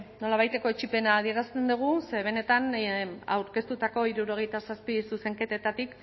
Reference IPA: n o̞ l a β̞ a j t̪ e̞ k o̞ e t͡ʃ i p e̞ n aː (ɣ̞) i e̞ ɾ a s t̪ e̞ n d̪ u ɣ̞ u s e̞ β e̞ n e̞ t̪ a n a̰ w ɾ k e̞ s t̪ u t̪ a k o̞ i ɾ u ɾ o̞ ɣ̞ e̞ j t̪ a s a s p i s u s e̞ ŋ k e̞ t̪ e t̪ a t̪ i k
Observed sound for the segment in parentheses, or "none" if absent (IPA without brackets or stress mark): ð̞